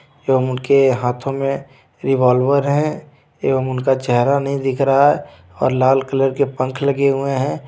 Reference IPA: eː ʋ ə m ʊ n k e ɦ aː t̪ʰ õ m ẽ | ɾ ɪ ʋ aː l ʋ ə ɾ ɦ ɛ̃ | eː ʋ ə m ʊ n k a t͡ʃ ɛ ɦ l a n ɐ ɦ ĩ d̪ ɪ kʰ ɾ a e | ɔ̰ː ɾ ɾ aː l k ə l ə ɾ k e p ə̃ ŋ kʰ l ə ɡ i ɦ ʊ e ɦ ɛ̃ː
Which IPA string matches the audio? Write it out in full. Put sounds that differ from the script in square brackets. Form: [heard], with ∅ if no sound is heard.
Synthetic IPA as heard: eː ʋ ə m ʊ n k e ɦ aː t̪ʰ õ m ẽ | ɾ ɪ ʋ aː l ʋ ə ɾ ɦ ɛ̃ | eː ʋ ə m ʊ n k a t͡ʃ ɛ ɦ [ɾ] a n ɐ ɦ ĩ d̪ ɪ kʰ ɾ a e | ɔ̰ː ɾ [l] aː l k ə l ə ɾ k e p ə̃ ŋ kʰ l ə ɡ [e] ɦ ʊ e ɦ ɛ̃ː

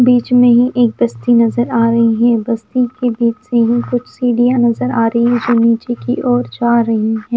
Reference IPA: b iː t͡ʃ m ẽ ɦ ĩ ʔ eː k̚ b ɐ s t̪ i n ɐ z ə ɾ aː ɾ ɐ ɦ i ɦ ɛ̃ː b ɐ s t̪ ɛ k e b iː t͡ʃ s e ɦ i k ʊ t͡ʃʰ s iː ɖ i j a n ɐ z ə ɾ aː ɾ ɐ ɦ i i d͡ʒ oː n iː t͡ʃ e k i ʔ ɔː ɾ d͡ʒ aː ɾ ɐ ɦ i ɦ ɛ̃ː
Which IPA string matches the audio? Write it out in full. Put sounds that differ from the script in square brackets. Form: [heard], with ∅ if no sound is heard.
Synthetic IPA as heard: b iː t͡ʃ m ẽ ɦ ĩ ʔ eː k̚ b ɐ s t̪ i n ɐ z ə ɾ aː ɾ ɐ ɦ i ɦ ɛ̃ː b ɐ s t̪ [i] k e b iː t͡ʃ s e ɦ i k ʊ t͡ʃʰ s iː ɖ i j a n ɐ z ə ɾ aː ɾ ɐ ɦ i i d͡ʒ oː n iː t͡ʃ e k i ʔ ɔː ɾ d͡ʒ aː ɾ ɐ ɦ i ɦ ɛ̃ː

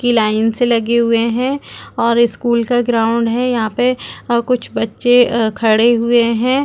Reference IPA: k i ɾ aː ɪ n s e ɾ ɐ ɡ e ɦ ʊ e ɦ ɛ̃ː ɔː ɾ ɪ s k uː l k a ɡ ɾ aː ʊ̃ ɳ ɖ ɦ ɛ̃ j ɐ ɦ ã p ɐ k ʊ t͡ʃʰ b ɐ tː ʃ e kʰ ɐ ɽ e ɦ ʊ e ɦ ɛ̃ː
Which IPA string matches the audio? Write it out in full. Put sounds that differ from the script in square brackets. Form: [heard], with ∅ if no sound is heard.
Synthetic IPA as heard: k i [l] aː ɪ n s e [l] ɐ ɡ e ɦ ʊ e ɦ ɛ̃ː ɔː ɾ ɪ s k uː l k a ɡ ɾ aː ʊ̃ ɳ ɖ ɦ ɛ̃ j ɐ ɦ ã p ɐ k ʊ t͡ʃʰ b ɐ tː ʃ e kʰ ɐ ɽ e ɦ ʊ e ɦ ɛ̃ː

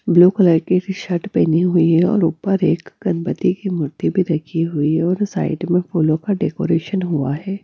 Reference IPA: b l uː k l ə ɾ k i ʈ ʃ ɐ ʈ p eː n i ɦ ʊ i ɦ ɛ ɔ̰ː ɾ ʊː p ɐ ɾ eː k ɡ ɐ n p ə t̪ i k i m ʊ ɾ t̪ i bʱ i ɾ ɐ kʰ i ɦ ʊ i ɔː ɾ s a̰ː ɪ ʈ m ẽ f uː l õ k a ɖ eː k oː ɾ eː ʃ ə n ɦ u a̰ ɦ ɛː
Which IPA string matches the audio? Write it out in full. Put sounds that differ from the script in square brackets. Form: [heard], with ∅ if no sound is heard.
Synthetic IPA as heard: b l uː k l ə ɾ k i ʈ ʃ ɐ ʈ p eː n i ɦ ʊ i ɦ ɛ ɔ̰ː ɾ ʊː p [ə] ɾ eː k ɡ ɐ n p ə t̪ i k i m ʊ ɾ t̪ i bʱ i ɾ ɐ kʰ i ɦ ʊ i ɔː ɾ s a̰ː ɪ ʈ m ẽ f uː l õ k a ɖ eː k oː ɾ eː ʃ ə n ɦ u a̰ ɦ ɛː

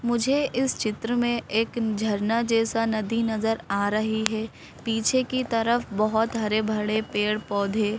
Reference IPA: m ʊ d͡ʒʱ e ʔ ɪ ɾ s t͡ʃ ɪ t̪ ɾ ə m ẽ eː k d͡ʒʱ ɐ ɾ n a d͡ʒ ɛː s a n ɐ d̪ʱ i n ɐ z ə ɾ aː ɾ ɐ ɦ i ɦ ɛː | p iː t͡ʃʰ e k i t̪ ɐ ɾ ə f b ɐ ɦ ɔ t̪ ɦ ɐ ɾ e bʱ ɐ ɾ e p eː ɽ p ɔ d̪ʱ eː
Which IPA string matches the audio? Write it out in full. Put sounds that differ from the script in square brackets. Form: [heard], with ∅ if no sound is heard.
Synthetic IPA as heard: m ʊ d͡ʒʱ e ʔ ɪ [∅] s t͡ʃ ɪ t̪ ɾ ə m ẽ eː k d͡ʒʱ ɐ ɾ n a d͡ʒ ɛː s a n ɐ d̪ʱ i n ɐ z ə ɾ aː ɾ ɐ ɦ i ɦ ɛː | p iː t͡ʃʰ e k i t̪ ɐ ɾ ə f b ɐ ɦ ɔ t̪ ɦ ɐ ɾ e bʱ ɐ [ɽ] e p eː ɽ p [ɔː] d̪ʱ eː

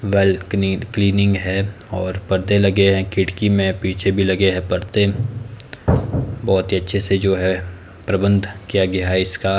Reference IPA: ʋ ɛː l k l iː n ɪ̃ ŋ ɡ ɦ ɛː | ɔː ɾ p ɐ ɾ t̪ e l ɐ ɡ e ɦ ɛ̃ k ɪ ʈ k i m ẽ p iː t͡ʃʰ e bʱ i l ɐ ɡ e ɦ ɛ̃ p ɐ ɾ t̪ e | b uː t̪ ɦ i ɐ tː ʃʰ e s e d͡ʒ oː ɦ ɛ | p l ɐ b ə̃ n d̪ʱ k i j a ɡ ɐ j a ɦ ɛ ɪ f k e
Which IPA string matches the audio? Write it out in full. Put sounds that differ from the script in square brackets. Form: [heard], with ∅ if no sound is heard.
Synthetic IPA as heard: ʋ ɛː l k l iː n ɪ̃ ŋ ɡ ɦ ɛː | ɔː ɾ p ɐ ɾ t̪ e l ɐ ɡ e ɦ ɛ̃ k ɪ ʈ k i m ẽ p iː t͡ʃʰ e bʱ i l ɐ ɡ e ɦ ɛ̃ p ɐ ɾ t̪ e | b [ɔː] t̪ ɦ i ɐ tː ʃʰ e s e d͡ʒ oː ɦ ɛ | p [ɾ] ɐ b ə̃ n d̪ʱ k i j a ɡ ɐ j a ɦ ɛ ɪ [s] k [a]

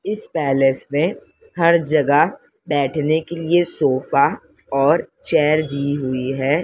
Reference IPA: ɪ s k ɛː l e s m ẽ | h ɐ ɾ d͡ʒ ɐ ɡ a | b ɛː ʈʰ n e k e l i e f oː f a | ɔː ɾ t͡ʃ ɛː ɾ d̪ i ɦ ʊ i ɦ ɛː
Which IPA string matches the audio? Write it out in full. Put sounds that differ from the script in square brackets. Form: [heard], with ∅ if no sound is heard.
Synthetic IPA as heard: ɪ s [p] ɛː l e s m ẽ | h ɐ ɾ d͡ʒ ɐ ɡ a | b ɛː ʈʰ n e k e l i e [s] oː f a | ɔː ɾ t͡ʃ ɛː ɾ d̪ i ɦ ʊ i ɦ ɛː

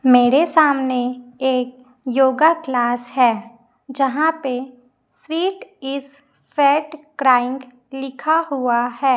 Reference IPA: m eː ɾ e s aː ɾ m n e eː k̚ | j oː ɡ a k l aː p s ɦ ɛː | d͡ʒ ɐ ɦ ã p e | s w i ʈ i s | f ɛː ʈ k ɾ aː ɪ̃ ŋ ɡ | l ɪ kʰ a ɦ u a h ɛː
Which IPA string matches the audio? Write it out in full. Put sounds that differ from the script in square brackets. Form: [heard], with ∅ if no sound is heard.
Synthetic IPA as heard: m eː ɾ e s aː [∅] m n e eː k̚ | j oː ɡ a k l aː [∅] s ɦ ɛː | d͡ʒ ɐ ɦ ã p e | s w [iː] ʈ [ɪ] s | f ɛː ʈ k ɾ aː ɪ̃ ŋ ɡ | l ɪ kʰ a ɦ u a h ɛː

